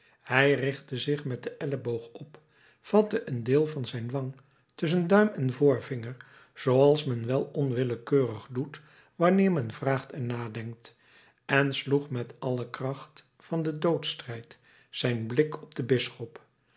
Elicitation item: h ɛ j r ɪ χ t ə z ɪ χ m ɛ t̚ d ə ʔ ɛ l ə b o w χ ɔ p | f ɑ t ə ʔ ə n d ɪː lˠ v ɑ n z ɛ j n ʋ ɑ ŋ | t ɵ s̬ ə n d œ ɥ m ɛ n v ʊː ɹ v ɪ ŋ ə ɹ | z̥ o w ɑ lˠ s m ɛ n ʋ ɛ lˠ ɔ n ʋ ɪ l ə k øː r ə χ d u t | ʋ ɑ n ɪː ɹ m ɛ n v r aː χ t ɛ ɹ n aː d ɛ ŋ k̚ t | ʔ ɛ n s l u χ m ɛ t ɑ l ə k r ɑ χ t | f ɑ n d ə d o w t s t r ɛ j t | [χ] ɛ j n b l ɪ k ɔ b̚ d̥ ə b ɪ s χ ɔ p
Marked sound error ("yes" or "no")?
yes